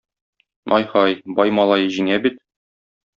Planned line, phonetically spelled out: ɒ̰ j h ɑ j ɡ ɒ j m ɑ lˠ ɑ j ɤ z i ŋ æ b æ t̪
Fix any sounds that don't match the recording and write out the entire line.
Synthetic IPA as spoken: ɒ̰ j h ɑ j b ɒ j m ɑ lˠ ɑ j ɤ ʑ i ŋ æ b i t̪